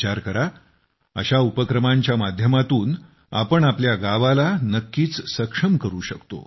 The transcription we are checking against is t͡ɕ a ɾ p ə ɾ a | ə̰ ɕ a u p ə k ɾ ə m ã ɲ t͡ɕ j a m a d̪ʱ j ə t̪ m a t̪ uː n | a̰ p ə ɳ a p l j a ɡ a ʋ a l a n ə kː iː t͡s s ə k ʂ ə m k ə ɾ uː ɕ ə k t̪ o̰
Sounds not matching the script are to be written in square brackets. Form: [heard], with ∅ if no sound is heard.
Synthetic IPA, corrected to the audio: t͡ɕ a ɾ [k] ə ɾ a | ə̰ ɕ a u p ə k ɾ ə m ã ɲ t͡ɕ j a m a d̪ʱ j ə [∅] m a t̪ uː n | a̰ p ə ɳ a p l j a ɡ a ʋ a l a n ə kː iː t͡s s ə k ʂ ə m k ə ɾ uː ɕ ə k t̪ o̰